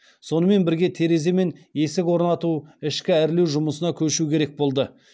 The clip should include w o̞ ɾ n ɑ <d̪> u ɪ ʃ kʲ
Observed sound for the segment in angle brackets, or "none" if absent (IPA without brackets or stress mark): t̪